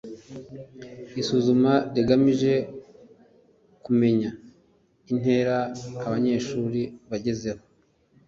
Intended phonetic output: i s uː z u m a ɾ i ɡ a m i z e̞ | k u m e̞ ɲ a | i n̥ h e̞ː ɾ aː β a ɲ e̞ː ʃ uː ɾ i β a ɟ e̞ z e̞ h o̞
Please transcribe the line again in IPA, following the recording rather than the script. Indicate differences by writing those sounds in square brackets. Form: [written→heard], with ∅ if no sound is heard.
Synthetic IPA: i s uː z u m a ɾ i ɡ a m i [z→ʒ] e̞ | k u m e̞ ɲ a | i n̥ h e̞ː ɾ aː β a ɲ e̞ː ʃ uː ɾ i β a ɟ e̞ z e̞ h o̞